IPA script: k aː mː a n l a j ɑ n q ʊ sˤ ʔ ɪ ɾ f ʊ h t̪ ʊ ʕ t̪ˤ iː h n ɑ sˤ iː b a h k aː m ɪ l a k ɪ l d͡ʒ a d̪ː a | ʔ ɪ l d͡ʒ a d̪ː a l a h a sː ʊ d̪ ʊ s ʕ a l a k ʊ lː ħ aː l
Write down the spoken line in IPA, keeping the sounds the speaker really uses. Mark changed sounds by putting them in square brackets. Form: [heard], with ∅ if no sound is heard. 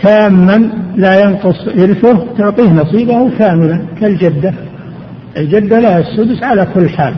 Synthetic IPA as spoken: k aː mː a n l a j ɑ n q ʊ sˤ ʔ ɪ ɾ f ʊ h t̪ ʊ ʕ t̪ˤ iː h n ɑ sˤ iː b a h k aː m ɪ l a k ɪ l d͡ʒ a d̪ː a | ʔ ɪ l d͡ʒ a d̪ː a l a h a sː ʊ d̪ ʊ s ʕ a l a k ʊ lː ħ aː l